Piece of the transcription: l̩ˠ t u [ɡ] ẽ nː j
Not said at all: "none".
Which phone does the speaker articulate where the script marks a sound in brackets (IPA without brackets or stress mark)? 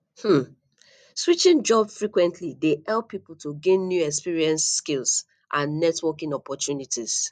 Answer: ɡ